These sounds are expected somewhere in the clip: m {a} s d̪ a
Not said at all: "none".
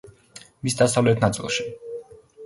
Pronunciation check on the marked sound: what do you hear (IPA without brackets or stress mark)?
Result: i